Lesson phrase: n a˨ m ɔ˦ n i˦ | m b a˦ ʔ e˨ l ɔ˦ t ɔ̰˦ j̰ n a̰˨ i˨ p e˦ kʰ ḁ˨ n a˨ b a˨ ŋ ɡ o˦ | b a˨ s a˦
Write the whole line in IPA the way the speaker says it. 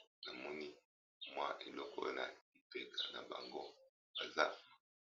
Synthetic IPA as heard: n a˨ m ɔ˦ n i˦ | m w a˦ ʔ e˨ l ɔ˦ k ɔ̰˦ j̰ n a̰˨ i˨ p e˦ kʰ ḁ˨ n a˨ b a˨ ŋ ɡ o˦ | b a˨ z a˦